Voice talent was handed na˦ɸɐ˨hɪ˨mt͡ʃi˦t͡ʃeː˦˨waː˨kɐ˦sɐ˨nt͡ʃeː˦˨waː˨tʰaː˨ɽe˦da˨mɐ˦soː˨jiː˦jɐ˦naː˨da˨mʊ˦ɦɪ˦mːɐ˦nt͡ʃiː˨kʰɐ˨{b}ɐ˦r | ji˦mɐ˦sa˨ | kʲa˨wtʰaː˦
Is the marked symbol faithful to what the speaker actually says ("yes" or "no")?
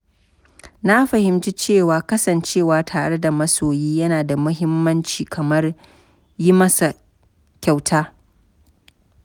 no